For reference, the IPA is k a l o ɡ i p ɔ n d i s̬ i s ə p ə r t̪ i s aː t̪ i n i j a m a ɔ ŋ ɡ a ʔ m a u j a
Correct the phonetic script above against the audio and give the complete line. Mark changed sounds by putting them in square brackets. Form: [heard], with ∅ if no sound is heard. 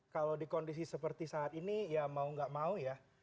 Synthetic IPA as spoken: k a l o [d] i [k] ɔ n d i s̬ i s ə p ə r t̪ i s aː t̪ i n i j a m a [u] ŋ ɡ a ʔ m a u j a

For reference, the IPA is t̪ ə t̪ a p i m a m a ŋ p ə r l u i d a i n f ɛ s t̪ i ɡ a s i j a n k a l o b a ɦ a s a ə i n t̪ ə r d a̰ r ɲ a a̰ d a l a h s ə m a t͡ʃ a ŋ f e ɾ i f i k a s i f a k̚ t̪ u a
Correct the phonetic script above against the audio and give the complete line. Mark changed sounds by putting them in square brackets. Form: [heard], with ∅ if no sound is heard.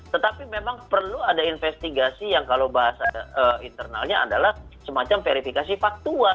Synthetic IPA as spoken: t̪ ə t̪ a p i m [e] m a ŋ p ə r l u [a] d a i n f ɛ s t̪ i ɡ a s i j a [ŋ] k a l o b a ɦ a s a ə i n t̪ ə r [n] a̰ [l] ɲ a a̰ d a l a h s ə m a t͡ʃ a [m] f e ɾ i f i k a s i f a k̚ t̪ u a

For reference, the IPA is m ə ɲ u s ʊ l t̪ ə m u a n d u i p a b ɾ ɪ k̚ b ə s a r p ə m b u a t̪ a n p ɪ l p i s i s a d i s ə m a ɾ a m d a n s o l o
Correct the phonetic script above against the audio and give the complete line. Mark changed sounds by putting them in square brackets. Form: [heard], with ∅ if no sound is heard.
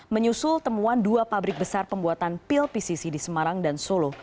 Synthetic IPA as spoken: m ə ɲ u s ʊ l t̪ ə m u a n d u [a] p a b ɾ ɪ k̚ b ə s a r p ə m b u a t̪ a n p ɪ l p i s i s [i] d i s ə m a ɾ a [ŋ] d a n s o l o

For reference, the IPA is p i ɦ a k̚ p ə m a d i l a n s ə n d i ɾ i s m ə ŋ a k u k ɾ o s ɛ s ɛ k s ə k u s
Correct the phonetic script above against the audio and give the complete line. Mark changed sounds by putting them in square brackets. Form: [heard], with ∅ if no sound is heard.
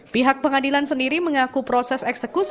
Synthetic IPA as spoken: p i ɦ a k̚ p ə [ŋ] a d i l a n s ə n d i ɾ i [∅] m ə ŋ a k u [p] ɾ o s ɛ s ɛ k s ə k u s

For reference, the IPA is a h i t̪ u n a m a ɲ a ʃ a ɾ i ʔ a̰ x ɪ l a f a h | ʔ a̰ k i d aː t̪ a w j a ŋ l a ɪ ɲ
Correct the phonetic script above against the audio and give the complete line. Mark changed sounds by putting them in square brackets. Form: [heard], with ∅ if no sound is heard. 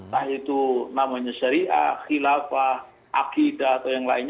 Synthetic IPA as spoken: a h i t̪ u n a m a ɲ a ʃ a ɾ i ʔ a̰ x [i] l a f a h | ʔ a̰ k i d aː t̪ a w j a ŋ l a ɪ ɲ

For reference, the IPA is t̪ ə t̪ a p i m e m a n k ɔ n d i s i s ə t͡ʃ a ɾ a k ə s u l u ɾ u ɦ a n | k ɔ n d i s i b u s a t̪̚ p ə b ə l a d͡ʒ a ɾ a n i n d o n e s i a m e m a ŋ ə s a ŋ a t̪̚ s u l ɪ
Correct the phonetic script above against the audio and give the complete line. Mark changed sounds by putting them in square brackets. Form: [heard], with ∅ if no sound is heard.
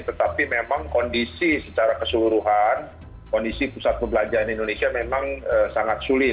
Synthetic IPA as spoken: t̪ ə t̪ a p i m e m a [ŋ] k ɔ n d i s i s ə t͡ʃ a ɾ a k ə s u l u ɾ u ɦ a n | k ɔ n d i s i [p] u s a t̪̚ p ə b ə l a d͡ʒ a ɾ a n i n d o n e s i a m e m a ŋ ə s a ŋ a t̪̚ s u l ɪ

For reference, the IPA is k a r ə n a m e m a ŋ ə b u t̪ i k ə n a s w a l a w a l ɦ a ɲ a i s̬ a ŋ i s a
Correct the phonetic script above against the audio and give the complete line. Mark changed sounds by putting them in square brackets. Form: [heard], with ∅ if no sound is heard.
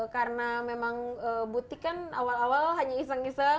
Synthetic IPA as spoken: k a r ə n a m e m a ŋ ə b u t̪ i k [a] n a [∅] w a l a w a l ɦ a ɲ a i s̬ a ŋ i s a

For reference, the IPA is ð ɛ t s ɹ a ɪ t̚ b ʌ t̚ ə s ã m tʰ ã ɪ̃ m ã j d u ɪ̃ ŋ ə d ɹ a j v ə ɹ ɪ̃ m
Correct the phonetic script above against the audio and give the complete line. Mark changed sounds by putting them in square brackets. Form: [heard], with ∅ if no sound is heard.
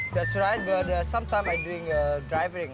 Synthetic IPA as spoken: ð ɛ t s ɹ a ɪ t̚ b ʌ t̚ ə s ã m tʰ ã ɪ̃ m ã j d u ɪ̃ ŋ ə d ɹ a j v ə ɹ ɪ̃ [ŋ]

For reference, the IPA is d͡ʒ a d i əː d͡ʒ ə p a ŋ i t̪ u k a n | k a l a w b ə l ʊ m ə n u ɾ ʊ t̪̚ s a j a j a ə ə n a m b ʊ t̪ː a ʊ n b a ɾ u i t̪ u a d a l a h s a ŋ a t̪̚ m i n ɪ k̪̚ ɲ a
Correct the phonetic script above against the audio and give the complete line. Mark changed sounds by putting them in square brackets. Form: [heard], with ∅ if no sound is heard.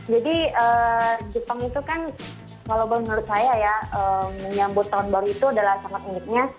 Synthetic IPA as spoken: d͡ʒ a d i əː d͡ʒ ə p a ŋ i t̪ u k a n | k a l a w b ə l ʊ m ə n u ɾ ʊ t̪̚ s a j a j a ə ə [ɲ] a m b ʊ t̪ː a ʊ n b a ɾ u i t̪ u a d a l a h s a ŋ a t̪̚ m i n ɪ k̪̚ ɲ a

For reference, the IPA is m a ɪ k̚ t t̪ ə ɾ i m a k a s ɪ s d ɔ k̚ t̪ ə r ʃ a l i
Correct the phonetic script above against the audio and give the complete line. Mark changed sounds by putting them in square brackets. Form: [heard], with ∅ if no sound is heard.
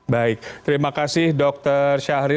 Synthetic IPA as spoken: [b] a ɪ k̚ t t̪ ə ɾ i m a k a s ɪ [h] d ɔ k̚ t̪ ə r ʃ a [ɾ] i

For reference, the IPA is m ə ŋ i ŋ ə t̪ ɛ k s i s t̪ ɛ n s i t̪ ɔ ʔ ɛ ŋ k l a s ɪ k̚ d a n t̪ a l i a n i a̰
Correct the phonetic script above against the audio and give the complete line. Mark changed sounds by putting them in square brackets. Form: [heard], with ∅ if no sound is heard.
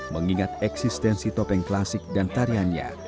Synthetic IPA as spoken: m ə ŋ i ŋ [a] t̪ ɛ k s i s t̪ ɛ n s i t̪ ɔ [p] ɛ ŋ k l a s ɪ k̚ d a n t̪ a [ɾ] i a n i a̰

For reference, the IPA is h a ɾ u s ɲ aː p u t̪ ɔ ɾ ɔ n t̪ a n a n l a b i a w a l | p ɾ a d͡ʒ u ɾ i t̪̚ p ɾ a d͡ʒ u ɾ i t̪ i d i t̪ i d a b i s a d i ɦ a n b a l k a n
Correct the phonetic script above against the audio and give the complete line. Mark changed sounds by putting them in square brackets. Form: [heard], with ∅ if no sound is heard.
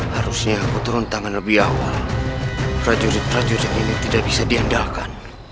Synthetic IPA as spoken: h a ɾ u s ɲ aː [k] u t̪ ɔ ɾ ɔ n t̪ a [ŋ] a n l a b i a w a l | p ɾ a d͡ʒ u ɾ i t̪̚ p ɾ a d͡ʒ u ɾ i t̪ i [n] i t̪ i d a b i s a d i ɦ a n [d] a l k a n

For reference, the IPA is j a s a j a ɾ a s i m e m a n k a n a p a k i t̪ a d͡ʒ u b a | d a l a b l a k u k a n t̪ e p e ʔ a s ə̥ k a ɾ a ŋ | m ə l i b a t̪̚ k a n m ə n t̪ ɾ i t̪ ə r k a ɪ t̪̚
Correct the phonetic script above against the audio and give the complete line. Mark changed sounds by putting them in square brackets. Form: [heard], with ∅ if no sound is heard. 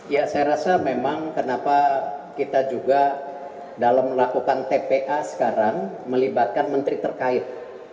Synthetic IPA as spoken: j a s a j a ɾ a s [a] m e m a [ŋ] k [ə] n a p a k i t̪ a d͡ʒ u [ɡ] a | d a l a [m] l a k u k a n t̪ e p e ʔ a s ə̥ k a ɾ a ŋ | m ə l i b a t̪̚ k a n m ə n t̪ ɾ i t̪ ə r k a ɪ t̪̚

